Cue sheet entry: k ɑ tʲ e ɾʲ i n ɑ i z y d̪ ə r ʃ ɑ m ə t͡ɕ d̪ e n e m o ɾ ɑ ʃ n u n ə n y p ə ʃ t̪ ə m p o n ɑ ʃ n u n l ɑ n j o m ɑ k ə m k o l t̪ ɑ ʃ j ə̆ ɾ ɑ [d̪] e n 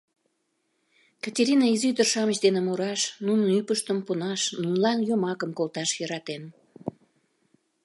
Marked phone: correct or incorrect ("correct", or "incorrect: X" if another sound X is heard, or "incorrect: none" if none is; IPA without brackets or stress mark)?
incorrect: t̪